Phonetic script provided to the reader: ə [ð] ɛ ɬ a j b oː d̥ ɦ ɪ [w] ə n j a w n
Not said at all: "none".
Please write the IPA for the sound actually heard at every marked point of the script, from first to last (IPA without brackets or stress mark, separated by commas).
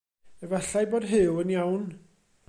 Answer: v, w